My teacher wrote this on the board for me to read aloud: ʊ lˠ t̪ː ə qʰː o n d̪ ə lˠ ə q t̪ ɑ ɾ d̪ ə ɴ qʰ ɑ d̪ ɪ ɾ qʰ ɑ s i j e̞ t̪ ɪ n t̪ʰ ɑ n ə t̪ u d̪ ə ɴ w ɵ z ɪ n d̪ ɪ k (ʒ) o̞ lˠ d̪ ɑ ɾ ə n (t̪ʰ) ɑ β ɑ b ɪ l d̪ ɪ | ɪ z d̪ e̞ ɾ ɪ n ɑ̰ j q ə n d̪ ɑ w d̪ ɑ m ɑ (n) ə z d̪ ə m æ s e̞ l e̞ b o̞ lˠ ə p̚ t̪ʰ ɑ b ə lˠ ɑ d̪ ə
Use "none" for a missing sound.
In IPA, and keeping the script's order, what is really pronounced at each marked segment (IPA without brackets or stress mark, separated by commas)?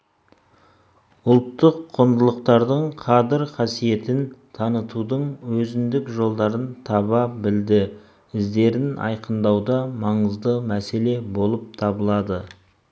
ʒ, t̪ʰ, ɴ